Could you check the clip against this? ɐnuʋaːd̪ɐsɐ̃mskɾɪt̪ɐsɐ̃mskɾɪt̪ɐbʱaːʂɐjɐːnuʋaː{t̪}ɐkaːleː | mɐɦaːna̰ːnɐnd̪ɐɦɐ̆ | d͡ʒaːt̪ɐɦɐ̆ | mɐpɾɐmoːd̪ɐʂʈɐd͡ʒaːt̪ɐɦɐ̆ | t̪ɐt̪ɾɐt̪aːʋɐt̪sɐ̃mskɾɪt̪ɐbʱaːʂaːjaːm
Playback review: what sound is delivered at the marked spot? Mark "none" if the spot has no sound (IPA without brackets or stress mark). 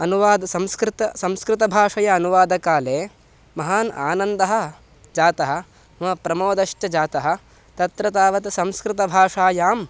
d̪